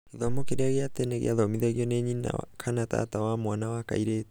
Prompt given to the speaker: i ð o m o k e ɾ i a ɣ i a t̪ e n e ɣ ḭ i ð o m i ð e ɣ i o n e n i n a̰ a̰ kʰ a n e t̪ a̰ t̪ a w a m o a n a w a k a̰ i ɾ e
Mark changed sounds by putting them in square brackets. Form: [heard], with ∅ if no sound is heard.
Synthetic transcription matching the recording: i ð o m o k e ɾ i a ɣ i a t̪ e n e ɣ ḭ [a] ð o m i ð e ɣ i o n e [ɲ] i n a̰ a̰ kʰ a n [a] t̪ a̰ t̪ a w a m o a n a w a k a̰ i ɾ e

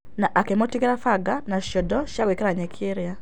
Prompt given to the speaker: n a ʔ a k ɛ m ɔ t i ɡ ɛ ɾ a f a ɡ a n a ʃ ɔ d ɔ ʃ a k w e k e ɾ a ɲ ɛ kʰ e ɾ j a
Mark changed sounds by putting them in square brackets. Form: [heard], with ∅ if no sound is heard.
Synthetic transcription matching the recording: n a ʔ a k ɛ m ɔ t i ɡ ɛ ɾ a f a ɡ a n a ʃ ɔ d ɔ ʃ a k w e k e ɾ a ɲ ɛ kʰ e ɾ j a

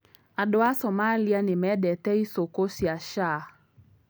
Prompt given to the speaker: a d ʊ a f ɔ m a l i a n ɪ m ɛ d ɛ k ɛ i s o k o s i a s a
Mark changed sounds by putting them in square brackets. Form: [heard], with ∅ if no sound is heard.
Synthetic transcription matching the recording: a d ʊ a [s] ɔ m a l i a n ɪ m ɛ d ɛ [t] ɛ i s o k o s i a [ʃ] a

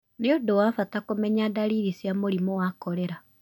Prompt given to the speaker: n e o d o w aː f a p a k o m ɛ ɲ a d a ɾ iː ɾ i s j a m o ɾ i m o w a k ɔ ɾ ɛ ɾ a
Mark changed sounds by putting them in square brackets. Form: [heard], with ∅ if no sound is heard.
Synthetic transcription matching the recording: n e o d o w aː f a [t] a k o m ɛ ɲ a d a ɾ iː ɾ i s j a m o ɾ i m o w a k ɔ ɾ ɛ ɾ a

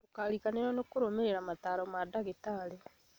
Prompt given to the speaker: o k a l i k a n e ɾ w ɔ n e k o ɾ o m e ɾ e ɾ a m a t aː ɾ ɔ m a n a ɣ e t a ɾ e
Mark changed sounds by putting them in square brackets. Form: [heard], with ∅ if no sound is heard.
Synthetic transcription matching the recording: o k a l i k a n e ɾ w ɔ n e k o ɾ o m e ɾ e ɾ a m a t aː ɾ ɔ m a [d] a ɣ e t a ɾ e

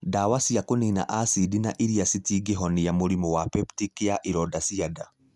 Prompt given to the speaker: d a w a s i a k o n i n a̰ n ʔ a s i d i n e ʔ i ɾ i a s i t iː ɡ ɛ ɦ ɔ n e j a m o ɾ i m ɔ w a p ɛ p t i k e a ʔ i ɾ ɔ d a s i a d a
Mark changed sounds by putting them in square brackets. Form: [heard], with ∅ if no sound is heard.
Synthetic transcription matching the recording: d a w a s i a k o n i n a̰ [∅] ʔ a s i d i n [a] ʔ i ɾ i a s i t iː ɡ [e] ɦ ɔ n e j a m o ɾ i m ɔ w a p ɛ p t i k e a ʔ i ɾ ɔ d a s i a d a

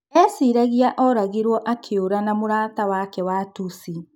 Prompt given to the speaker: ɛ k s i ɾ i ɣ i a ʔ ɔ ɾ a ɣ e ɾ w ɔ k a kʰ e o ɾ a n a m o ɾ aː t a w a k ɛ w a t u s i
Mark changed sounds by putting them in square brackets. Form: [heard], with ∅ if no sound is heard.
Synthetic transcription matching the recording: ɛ [∅] s i ɾ [a] ɣ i a ʔ ɔ ɾ a ɣ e ɾ w ɔ [ʔ] a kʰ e o ɾ a n a m o ɾ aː t a w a k ɛ w a t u s i

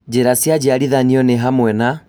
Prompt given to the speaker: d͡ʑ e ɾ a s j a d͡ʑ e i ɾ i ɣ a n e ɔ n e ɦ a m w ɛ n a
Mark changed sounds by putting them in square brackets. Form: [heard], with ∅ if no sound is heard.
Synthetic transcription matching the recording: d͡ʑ e ɾ a s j a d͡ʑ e [a] ɾ i [ð] a n [i] ɔ n e ɦ a m w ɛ n a

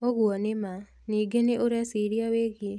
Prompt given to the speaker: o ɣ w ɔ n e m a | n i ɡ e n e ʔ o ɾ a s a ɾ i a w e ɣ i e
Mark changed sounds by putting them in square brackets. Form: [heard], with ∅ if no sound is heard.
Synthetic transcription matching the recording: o ɣ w ɔ n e m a | n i ɡ e n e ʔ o ɾ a s [i] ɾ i a w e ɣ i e

